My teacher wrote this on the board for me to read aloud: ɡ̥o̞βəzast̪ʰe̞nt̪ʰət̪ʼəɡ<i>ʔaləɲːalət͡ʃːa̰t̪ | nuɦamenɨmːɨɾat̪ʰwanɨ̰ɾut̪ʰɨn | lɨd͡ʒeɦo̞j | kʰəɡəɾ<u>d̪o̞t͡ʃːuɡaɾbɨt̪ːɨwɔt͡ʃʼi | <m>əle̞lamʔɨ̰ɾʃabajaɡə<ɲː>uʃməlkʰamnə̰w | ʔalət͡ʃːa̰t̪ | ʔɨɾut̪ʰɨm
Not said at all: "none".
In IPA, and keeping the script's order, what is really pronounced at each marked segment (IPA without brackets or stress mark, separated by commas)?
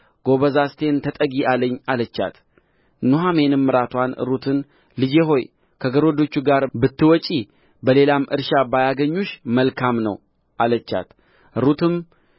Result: i, o, b, ɲː